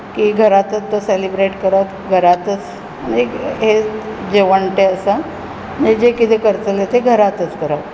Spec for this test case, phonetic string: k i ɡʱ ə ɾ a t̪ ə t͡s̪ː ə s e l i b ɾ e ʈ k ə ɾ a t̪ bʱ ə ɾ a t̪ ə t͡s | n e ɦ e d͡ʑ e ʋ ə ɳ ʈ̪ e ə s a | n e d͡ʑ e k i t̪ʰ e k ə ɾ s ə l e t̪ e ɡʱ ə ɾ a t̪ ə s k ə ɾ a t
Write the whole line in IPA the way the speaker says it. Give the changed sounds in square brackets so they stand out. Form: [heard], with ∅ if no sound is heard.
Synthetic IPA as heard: k i ɡʱ ə ɾ a t̪ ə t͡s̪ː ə s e l i b ɾ e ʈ k ə ɾ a t̪ [ɡʱ] ə ɾ a t̪ ə t͡s | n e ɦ e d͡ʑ e ʋ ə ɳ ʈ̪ e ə s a | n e d͡ʑ e k i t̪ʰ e k ə ɾ [t͡s] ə l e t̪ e ɡʱ ə ɾ a t̪ ə [t͡s] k ə ɾ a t